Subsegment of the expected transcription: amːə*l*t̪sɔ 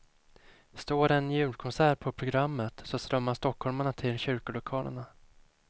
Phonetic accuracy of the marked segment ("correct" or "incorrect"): incorrect